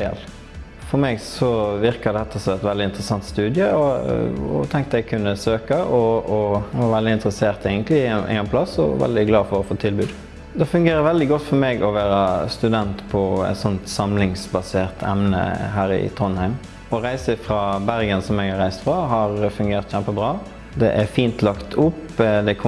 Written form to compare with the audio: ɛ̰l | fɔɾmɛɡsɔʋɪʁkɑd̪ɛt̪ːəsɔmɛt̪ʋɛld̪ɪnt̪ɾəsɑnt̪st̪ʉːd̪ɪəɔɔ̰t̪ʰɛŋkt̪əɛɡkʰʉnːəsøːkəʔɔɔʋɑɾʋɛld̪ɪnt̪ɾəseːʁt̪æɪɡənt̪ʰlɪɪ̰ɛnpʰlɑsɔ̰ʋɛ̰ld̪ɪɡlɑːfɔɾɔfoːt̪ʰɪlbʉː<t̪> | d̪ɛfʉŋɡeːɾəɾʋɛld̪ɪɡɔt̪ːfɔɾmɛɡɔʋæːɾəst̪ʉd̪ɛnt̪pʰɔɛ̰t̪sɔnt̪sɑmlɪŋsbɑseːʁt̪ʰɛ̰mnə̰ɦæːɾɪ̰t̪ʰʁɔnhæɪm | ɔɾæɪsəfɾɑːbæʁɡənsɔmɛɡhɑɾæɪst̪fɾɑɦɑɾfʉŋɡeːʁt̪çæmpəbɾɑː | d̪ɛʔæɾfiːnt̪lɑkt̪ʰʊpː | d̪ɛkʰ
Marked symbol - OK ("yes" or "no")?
no